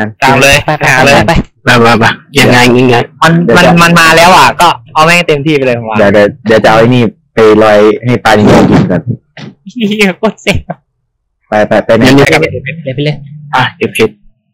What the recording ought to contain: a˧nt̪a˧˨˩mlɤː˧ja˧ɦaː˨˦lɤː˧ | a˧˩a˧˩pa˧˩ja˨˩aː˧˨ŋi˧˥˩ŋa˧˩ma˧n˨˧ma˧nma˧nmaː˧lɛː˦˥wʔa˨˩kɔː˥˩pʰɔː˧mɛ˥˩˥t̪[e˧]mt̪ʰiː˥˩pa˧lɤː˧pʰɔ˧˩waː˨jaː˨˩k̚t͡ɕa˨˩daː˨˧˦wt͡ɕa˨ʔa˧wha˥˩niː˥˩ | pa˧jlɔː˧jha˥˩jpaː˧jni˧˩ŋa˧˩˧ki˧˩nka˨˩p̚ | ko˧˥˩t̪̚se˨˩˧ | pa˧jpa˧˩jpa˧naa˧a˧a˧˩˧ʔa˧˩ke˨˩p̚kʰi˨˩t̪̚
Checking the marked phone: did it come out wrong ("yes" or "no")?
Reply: no